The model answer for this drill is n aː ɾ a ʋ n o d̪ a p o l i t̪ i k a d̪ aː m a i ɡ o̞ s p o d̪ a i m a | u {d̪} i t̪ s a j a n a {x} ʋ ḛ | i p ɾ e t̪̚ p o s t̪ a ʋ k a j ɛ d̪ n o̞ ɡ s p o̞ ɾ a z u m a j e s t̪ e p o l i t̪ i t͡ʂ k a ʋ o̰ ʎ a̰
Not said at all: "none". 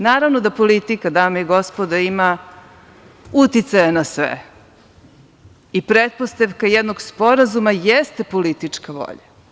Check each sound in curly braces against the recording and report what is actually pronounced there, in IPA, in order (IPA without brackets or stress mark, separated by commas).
t̪, s